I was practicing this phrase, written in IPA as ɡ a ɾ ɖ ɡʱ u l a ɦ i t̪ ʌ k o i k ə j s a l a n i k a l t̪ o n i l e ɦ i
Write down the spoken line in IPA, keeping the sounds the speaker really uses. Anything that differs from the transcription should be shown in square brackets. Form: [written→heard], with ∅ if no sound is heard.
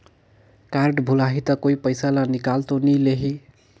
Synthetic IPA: [ɡ→k] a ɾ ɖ [ɡʱ→bʱ] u l a ɦ i t̪ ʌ k o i [k→p] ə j s a l a n i k a l t̪ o n i l e ɦ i